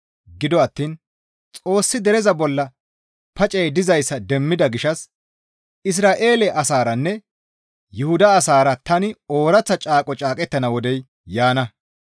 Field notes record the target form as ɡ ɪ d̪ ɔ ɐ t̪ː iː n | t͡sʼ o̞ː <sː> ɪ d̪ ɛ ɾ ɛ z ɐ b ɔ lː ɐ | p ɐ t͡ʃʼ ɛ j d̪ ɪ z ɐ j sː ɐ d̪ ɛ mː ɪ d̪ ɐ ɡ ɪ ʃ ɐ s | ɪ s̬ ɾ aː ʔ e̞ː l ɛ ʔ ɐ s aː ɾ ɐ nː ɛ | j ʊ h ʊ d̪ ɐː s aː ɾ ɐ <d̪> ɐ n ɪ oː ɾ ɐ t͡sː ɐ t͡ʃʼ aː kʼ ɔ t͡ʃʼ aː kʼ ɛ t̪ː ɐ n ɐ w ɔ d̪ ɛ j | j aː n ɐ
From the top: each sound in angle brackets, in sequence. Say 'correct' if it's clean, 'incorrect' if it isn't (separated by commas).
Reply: correct, incorrect